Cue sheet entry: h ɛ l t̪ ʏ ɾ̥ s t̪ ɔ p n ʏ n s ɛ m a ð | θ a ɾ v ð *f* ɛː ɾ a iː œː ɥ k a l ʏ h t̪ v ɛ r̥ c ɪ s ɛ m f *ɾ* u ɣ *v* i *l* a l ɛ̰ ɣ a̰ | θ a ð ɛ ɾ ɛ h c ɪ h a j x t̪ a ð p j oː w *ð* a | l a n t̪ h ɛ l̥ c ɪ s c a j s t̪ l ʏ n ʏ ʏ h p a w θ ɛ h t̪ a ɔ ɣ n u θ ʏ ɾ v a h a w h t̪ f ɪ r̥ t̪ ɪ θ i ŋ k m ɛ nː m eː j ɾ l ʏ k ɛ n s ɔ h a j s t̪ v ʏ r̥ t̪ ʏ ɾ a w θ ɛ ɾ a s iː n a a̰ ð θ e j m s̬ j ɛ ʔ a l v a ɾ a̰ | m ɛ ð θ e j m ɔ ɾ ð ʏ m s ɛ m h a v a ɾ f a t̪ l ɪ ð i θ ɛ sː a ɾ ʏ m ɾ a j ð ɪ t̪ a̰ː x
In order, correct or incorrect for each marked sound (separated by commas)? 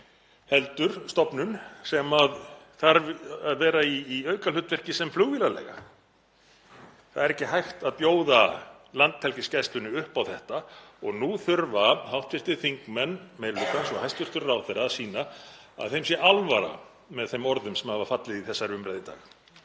incorrect, incorrect, correct, correct, correct